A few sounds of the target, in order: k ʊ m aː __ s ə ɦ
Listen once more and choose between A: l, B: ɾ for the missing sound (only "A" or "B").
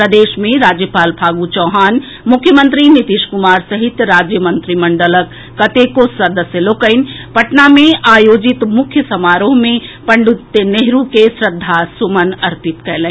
B